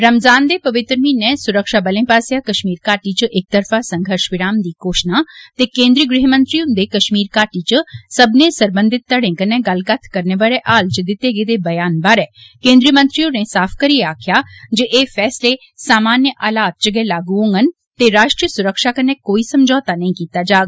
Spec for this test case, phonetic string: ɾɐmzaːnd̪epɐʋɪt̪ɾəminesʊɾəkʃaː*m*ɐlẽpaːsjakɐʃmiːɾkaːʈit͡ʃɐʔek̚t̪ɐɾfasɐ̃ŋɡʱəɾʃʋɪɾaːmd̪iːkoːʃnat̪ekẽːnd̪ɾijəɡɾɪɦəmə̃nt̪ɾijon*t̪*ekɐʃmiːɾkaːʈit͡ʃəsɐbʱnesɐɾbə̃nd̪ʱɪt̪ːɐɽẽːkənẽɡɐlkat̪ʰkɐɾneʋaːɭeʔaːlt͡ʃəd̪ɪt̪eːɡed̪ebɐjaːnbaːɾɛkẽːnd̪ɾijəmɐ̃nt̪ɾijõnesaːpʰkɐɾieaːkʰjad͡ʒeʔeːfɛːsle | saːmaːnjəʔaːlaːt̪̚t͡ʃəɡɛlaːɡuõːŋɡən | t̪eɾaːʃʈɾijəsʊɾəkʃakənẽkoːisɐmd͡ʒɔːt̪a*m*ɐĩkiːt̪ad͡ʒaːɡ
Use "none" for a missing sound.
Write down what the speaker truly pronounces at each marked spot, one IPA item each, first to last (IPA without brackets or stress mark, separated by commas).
b, d̪, n